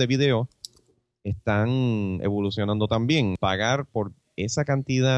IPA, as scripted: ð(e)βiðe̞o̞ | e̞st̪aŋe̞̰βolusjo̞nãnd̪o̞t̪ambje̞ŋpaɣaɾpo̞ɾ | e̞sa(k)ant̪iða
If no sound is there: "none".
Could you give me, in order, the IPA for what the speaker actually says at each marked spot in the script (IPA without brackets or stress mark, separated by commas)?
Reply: e, k